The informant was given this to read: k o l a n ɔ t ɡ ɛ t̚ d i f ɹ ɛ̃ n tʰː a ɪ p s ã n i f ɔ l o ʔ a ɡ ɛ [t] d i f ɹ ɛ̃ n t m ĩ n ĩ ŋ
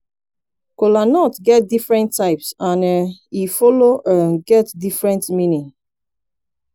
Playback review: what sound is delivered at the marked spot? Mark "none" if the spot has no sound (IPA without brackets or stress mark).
t